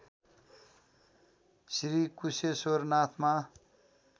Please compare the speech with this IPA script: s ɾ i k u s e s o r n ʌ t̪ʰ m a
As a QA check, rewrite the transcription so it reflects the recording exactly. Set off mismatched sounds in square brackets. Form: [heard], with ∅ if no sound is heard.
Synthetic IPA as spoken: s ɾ i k u s e s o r n [a] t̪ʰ m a